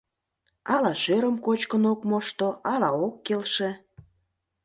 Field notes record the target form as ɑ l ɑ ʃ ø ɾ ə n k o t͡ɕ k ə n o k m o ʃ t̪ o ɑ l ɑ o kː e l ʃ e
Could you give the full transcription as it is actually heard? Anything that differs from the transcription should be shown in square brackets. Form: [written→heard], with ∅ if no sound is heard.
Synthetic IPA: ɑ l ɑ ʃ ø ɾ ə [n→m] k o t͡ɕ k ə n o k m o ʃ t̪ o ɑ l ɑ o kː e l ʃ e